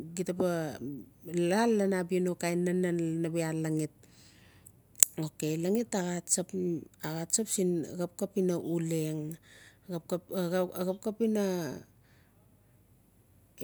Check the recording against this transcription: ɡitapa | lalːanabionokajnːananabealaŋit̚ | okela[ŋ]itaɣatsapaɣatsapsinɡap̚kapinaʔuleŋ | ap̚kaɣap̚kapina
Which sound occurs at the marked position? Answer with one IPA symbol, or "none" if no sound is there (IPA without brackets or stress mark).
ŋ